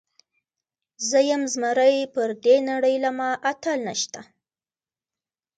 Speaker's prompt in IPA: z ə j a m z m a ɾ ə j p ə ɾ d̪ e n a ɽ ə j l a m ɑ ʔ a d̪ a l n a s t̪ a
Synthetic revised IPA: z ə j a m z m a ɾ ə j p ə ɾ d̪ e n a ɽ ə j l a m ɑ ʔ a t̪ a l n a ʃ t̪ a